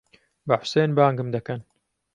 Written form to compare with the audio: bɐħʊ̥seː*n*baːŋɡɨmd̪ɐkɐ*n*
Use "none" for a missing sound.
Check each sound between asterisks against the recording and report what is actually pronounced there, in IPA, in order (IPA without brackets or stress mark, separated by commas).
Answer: n, n